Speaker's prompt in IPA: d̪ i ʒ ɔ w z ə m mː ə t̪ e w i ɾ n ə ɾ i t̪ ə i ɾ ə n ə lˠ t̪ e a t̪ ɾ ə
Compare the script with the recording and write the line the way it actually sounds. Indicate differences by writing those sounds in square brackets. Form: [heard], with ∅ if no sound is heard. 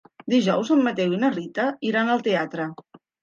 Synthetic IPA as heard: d̪ i ʒ ɔ w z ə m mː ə t̪ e w i [∅] n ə [r] i t̪ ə i ɾ [a] n ə lˠ t̪ e a t̪ ɾ ə